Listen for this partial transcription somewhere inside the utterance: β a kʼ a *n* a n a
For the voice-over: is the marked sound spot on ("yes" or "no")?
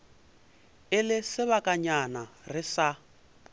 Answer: no